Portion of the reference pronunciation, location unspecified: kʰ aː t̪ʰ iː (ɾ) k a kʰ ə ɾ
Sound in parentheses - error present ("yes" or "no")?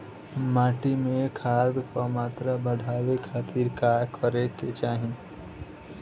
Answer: no